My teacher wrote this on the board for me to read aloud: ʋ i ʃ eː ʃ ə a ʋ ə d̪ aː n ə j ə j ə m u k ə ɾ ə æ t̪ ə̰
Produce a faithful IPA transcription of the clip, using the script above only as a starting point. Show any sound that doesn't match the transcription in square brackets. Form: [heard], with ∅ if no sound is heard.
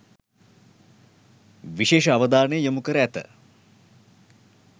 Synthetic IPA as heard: ʋ i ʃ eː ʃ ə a ʋ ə d̪ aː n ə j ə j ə m u k ə ɾ ə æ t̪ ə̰

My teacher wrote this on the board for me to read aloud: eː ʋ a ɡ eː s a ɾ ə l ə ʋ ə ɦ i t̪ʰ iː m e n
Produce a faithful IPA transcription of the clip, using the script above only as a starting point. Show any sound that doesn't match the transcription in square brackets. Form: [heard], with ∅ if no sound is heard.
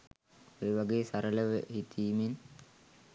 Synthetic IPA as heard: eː ʋ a ɡ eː s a ɾ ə l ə ʋ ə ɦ i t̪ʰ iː m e n

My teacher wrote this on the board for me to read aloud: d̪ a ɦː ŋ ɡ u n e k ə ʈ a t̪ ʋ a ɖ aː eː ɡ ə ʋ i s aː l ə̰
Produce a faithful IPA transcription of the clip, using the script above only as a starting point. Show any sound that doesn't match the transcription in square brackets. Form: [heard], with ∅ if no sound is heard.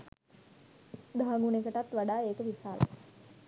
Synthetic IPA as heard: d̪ a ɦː ŋ ɡ u n e k ə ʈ a t̪ ʋ a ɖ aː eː [k] ə ʋ i s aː l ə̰

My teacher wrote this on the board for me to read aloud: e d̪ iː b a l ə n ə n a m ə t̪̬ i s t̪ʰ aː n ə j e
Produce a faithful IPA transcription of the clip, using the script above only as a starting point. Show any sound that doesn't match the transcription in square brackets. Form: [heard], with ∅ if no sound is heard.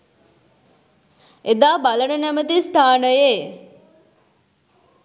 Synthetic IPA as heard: e d̪ [aː] b a l ə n ə n [æ] m ə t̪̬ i s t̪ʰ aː n ə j e

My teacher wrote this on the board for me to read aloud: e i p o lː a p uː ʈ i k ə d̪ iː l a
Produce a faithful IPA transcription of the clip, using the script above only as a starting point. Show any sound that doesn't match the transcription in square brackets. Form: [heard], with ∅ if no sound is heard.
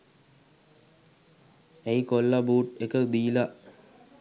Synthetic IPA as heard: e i [k] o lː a [b] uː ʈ [e] k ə d̪ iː l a

